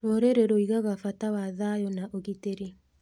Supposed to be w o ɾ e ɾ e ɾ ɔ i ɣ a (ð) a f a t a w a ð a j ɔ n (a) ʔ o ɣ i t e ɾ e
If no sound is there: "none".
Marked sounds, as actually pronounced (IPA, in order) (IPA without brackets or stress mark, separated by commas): ɣ, a